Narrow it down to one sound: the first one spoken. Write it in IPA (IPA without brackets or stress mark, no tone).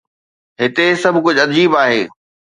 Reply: ɦ